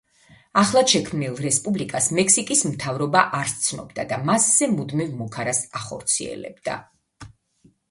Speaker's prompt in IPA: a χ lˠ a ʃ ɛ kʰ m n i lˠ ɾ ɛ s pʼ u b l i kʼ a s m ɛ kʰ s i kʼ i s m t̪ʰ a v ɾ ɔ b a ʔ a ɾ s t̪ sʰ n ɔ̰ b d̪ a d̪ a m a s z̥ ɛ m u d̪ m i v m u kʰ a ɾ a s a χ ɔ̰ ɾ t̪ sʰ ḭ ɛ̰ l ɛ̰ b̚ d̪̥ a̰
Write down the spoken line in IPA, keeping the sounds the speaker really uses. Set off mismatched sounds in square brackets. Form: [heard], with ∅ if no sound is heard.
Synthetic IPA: a χ lˠ a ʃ ɛ kʰ m n i lˠ ɾ ɛ s pʼ u b l i kʼ a s m ɛ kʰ s i kʼ i s m t̪ʰ a v ɾ ɔ b a ʔ a ɾ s t̪ sʰ n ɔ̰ b d̪ a d̪ a m a s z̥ ɛ m u d̪ m i v m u kʰ a ɾ a s a χ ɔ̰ ɾ t̪ sʰ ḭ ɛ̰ l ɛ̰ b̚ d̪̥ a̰